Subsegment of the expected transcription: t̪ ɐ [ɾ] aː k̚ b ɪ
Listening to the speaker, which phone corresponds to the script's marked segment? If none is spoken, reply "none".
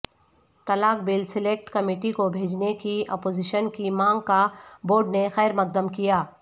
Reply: l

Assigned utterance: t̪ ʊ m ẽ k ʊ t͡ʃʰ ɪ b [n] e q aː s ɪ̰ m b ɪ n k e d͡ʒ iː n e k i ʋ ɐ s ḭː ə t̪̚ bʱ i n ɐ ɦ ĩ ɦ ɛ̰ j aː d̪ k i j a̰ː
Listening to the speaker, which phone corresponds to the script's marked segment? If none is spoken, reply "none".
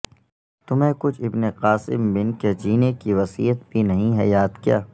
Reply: n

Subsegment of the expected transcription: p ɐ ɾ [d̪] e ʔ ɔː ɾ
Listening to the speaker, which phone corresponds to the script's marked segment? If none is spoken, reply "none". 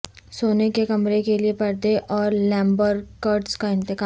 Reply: d̪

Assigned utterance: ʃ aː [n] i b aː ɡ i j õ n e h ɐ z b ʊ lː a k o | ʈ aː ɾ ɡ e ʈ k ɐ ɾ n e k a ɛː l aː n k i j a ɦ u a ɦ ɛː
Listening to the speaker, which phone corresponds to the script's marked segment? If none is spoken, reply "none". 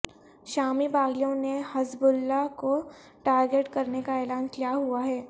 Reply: m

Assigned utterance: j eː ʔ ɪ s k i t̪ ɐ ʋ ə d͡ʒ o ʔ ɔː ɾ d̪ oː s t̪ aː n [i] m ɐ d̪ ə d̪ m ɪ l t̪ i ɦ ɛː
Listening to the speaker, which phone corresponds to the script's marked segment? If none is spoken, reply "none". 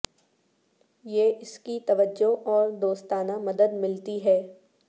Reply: a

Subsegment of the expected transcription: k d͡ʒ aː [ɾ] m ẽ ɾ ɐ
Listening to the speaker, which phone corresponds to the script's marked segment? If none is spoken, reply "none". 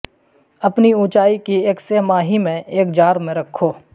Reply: ɾ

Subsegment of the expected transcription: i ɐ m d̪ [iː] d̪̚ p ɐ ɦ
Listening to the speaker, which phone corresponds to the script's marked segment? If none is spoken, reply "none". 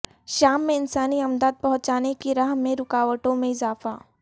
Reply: aː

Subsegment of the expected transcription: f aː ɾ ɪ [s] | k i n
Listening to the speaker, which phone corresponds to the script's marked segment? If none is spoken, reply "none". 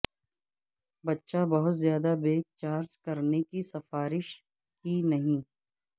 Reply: ʃ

